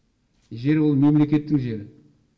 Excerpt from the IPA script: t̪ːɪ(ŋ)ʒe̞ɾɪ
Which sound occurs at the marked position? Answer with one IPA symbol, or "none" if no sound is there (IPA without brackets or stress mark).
ŋ